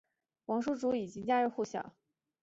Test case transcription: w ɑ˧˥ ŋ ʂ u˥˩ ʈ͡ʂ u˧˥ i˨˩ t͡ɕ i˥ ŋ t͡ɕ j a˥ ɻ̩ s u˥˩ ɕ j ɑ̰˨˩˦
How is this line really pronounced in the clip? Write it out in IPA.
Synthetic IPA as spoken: w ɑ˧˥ ŋ ʂ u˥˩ ʈ͡ʂ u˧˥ i˨˩ t͡ɕ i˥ ŋ t͡ɕ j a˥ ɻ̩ x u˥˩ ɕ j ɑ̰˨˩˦